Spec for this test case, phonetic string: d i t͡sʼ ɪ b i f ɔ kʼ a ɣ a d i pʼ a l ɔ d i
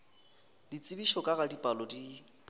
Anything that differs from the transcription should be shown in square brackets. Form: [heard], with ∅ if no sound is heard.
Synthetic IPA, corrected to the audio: d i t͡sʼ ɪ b i [ʃ] ɔ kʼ a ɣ a d i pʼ a l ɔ d i

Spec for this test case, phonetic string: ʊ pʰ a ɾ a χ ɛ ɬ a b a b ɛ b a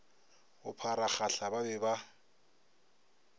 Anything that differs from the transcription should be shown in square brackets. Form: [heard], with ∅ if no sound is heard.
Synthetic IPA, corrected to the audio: ʊ pʰ a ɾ a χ [a] ɬ a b a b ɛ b a

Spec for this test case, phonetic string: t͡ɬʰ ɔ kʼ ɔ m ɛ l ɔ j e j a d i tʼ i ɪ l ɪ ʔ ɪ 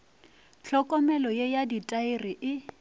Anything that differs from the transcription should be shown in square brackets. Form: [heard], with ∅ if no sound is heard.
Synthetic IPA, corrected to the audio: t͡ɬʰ ɔ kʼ ɔ m ɛ l ɔ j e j a d i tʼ [a] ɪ [r] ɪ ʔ ɪ

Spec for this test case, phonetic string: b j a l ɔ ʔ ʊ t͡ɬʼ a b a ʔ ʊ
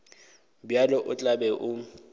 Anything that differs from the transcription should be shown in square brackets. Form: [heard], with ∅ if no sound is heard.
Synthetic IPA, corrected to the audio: b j a l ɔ ʔ ʊ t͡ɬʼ a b [ɛ] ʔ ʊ

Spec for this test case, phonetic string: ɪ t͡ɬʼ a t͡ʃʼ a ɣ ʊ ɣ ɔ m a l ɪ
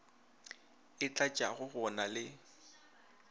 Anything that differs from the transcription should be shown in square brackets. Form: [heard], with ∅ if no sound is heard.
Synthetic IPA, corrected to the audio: ɪ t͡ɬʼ a t͡ʃʼ a ɣ ʊ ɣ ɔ [n] a l ɪ

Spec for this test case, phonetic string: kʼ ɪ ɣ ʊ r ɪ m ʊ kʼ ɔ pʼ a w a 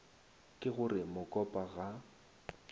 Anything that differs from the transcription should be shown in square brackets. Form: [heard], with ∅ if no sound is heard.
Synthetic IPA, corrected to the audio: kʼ ɪ ɣ ʊ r ɪ m ʊ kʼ ɔ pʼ a [ɣ] a

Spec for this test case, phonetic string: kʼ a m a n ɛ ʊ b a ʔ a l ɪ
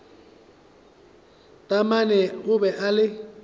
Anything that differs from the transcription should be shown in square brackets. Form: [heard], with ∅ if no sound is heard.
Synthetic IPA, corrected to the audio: [tʼ] a m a n ɛ ʊ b [ɛ] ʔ a l ɪ

